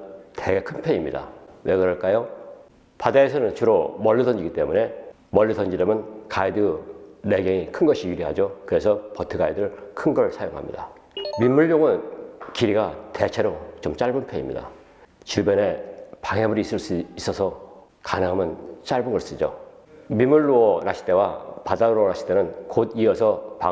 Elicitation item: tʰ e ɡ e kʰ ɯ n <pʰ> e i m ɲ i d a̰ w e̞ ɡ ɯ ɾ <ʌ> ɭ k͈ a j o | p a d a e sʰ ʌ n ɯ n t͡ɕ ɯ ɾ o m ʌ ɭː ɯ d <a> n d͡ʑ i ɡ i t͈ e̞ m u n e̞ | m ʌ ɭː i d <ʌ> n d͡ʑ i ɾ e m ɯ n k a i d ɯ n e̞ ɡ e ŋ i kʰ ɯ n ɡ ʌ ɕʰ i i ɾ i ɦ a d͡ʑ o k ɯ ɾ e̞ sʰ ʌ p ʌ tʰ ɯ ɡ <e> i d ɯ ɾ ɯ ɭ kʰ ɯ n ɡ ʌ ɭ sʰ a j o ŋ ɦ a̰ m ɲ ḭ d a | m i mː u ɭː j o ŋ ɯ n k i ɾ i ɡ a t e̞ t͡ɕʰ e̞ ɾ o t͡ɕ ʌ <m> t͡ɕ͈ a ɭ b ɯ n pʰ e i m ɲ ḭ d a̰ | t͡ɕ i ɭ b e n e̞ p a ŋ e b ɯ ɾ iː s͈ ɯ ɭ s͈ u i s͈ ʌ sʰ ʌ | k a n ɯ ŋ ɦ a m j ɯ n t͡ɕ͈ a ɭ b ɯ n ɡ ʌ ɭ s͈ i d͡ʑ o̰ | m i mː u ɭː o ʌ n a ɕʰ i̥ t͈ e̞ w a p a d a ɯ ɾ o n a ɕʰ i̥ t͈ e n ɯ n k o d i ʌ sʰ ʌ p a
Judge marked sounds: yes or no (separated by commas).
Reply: yes, yes, no, yes, no, yes